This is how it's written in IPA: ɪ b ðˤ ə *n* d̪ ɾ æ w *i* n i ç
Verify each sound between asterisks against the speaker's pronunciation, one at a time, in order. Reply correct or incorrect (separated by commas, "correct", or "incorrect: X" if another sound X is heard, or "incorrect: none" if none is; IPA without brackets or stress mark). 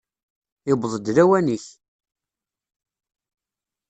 incorrect: none, incorrect: æ